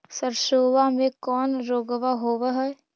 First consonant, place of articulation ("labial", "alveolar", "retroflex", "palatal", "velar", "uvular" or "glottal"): alveolar